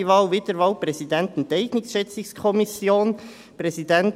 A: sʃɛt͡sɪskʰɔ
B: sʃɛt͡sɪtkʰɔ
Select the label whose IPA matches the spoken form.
A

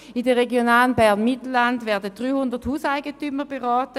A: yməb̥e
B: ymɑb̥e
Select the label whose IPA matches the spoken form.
A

